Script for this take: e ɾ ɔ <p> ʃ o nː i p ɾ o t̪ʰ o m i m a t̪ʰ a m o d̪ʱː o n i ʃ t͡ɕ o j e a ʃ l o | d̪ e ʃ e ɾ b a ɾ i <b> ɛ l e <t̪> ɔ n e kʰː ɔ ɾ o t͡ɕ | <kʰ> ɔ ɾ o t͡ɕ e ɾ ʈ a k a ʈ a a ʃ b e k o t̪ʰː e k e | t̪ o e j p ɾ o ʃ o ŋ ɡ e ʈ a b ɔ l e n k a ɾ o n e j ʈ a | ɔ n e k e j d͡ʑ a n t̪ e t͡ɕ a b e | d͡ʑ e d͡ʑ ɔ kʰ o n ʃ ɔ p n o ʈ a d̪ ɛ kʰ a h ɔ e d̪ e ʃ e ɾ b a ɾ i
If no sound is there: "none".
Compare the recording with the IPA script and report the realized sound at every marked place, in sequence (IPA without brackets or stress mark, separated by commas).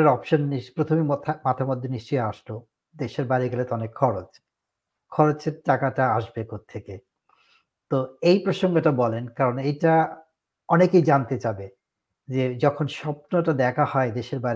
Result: p, ɡ, t̪, kʰ